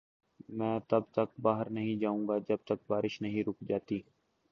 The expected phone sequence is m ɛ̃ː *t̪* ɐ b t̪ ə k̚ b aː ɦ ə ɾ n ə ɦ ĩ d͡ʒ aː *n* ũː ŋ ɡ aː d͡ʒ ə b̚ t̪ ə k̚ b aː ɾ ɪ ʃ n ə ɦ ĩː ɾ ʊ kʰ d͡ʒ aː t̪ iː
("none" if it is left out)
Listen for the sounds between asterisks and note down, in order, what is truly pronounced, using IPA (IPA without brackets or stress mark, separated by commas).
t̪, none